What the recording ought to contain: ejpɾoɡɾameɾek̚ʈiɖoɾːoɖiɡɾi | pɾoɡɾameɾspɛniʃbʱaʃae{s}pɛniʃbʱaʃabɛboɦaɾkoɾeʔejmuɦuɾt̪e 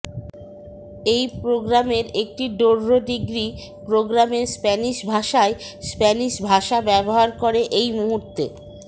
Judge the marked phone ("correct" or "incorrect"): correct